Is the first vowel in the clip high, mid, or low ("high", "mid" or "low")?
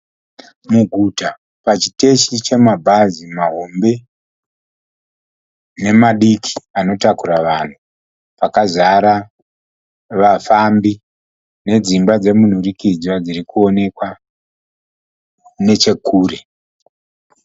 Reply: high